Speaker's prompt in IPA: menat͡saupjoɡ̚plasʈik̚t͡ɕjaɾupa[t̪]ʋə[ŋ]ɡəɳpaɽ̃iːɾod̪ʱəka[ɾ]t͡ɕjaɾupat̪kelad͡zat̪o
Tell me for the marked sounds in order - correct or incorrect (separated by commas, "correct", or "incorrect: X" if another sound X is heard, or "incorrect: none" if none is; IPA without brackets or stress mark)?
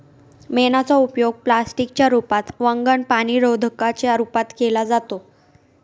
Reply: correct, correct, incorrect: none